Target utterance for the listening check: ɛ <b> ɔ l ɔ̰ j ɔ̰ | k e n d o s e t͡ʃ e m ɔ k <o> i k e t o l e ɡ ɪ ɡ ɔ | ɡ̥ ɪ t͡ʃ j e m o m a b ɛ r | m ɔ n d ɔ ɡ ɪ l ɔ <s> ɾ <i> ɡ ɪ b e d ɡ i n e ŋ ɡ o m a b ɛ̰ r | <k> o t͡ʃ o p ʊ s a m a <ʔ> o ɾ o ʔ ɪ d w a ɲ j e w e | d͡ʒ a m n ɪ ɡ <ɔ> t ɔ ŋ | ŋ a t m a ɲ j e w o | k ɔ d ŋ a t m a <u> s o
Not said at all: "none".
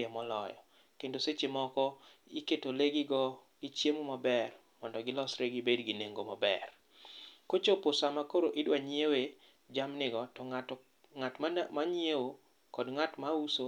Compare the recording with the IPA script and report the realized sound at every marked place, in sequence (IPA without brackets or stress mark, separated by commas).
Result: m, ɔ, s, e, k, k, ɔ, u